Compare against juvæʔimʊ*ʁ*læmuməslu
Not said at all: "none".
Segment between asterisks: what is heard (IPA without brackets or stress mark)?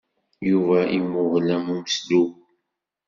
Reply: ʁ